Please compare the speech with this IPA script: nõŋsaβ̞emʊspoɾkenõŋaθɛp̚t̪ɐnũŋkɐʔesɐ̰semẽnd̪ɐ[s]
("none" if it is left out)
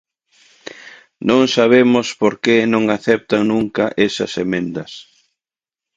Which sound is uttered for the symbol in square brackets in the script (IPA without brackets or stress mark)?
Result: s